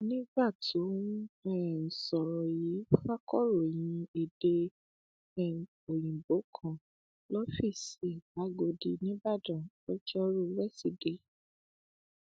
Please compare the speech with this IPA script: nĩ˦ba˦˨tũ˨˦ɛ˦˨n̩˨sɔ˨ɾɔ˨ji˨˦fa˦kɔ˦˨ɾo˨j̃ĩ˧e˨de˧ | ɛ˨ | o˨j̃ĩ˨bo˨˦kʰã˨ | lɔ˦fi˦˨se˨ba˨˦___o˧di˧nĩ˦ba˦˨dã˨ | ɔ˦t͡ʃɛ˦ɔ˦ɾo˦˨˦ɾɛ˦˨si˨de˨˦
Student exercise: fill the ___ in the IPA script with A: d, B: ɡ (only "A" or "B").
B